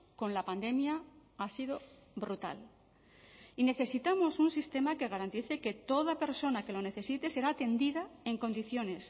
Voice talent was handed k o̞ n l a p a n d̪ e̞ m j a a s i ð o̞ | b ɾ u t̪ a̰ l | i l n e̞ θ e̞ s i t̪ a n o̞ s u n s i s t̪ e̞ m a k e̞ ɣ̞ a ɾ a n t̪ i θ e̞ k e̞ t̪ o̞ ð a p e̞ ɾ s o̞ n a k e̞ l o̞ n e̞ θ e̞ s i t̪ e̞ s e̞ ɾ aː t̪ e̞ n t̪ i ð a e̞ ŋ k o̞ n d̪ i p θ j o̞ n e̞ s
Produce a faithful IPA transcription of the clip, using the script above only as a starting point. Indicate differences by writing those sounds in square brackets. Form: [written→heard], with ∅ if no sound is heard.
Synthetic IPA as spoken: k o̞ n l a p a n d̪ e̞ m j a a s i ð o̞ | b ɾ u t̪ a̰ l | i [l→∅] n e̞ θ e̞ s i t̪ a [n→m] o̞ s u n s i s t̪ e̞ m a k e̞ ɣ̞ a ɾ a n t̪ i θ e̞ k e̞ t̪ o̞ ð a p e̞ ɾ s o̞ n a k e̞ l o̞ n e̞ θ e̞ s i t̪ e̞ s e̞ ɾ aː t̪ e̞ n [t̪→d̪] i ð a e̞ ŋ k o̞ n d̪ i [p→∅] θ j o̞ n e̞ s